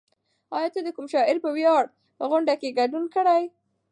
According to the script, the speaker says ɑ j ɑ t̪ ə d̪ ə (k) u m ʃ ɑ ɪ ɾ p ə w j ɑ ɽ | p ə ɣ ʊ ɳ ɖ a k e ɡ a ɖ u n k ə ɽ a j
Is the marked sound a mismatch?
no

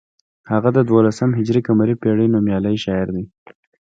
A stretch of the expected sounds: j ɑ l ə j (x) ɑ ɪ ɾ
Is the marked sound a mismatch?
yes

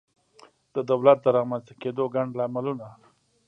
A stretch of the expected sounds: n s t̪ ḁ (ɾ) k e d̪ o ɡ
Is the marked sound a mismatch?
yes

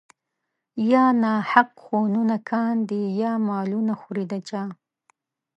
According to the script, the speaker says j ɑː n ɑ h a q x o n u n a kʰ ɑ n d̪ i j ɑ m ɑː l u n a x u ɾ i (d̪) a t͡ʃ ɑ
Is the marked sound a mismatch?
no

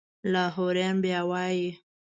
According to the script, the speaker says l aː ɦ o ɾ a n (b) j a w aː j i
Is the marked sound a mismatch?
no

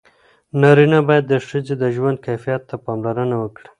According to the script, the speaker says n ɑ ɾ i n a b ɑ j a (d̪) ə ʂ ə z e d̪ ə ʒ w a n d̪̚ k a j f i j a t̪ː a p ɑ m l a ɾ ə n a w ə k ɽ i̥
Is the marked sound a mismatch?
yes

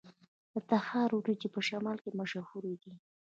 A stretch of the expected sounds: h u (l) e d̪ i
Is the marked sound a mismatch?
yes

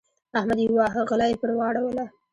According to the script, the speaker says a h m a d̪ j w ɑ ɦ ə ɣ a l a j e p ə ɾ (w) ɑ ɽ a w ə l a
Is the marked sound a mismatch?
no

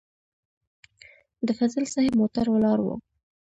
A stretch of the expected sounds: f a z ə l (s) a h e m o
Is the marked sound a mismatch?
no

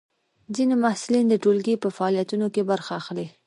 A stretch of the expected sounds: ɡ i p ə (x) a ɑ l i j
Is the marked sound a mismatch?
yes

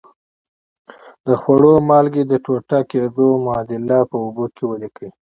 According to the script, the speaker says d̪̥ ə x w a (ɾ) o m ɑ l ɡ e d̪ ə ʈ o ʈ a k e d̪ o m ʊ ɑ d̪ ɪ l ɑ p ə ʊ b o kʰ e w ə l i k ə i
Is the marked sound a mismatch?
yes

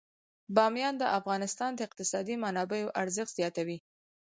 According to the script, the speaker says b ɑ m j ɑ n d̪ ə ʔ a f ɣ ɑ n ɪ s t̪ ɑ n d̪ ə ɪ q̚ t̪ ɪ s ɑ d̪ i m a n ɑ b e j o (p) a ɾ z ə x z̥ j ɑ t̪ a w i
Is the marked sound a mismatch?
yes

